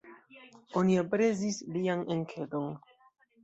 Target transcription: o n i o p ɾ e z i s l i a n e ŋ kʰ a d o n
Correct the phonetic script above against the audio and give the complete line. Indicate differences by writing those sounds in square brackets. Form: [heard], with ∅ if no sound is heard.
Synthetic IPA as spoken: o n i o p ɾ e z i s l i a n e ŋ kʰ [e] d o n